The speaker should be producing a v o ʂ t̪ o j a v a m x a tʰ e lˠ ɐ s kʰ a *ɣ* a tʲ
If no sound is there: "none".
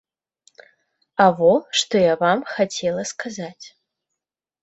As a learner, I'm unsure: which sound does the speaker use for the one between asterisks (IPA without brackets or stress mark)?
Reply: z